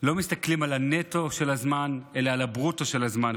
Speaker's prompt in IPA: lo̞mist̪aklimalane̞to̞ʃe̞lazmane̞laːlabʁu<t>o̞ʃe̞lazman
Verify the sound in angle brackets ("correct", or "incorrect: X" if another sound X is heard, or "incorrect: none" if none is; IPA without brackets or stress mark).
correct